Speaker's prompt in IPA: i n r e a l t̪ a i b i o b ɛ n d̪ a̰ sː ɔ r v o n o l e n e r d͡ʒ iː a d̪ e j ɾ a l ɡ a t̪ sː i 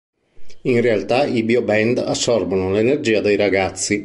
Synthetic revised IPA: i n r e a l t̪ a i b i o b ɛ n d̪ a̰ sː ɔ r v o n o l e n e r d͡ʒ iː a d̪ e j ɾ a ɡ a t̪ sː i